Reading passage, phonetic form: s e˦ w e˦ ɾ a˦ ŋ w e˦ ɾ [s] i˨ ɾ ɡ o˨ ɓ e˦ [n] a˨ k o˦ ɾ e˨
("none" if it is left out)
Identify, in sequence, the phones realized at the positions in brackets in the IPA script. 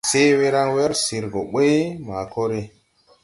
s, m

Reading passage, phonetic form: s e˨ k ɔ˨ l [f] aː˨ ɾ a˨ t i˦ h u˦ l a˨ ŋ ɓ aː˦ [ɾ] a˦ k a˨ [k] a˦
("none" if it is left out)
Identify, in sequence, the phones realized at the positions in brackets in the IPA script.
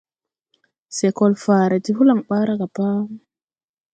f, ɾ, p

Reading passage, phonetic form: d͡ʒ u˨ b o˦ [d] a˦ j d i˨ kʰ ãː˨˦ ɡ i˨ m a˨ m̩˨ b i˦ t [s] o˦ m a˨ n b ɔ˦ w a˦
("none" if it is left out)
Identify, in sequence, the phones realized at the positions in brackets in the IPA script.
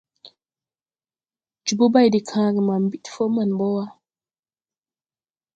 b, f

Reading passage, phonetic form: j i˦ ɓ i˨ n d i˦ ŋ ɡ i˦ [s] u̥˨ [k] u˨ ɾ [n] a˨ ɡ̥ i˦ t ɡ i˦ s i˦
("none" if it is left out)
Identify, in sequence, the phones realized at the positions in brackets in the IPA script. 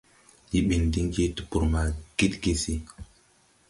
t, p, m

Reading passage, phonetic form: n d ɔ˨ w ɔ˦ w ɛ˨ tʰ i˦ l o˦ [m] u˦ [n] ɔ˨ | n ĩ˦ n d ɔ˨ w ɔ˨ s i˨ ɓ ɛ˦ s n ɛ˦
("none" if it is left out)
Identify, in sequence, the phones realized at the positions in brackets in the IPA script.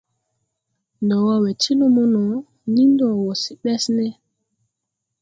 m, n

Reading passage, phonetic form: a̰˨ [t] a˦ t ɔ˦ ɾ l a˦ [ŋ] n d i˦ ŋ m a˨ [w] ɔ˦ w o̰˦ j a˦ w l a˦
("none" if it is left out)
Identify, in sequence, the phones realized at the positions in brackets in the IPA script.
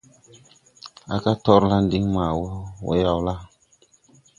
k, none, w

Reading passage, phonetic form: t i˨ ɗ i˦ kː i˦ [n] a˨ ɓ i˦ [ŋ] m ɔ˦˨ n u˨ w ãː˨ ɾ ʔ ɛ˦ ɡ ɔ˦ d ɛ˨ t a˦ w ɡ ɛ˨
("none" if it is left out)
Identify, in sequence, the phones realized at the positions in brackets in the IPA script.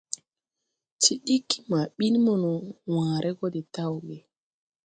m, n

